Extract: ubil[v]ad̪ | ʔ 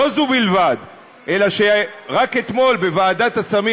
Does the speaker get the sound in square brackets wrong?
no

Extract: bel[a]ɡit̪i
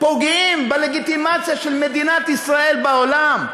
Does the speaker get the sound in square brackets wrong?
yes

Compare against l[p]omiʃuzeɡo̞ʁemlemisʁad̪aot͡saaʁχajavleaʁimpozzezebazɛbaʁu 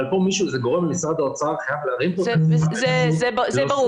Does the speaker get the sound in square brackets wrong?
no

